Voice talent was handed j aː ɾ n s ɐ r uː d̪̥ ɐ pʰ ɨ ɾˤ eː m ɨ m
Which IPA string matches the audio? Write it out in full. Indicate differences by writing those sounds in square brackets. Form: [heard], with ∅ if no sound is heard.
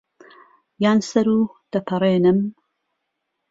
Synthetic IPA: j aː [∅] n s ɐ [ɾ] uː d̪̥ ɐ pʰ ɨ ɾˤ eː [n] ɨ m